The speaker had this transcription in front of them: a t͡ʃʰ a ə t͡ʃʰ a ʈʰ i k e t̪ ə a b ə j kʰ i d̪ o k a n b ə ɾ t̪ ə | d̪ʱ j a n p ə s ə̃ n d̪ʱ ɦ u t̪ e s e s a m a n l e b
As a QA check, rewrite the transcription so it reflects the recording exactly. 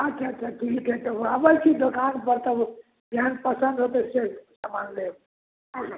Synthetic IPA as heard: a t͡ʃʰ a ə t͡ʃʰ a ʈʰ i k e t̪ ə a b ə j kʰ i d̪ o k a n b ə ɾ t̪ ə | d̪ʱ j a n p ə s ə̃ n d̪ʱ ɦ o t̪ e s e s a m a n l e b